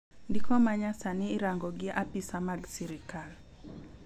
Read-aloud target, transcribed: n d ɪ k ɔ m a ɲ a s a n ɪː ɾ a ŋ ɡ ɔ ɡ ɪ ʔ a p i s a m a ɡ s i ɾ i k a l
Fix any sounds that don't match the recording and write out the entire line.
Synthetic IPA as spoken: n d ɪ k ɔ m a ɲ a s a n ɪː ɾ a ŋ ɡ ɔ ɡ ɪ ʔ a p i s a m a ɡ s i ɾ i k a l